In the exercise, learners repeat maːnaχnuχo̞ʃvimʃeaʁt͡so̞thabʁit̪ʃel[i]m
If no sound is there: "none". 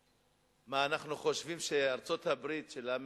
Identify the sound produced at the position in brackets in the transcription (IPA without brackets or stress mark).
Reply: a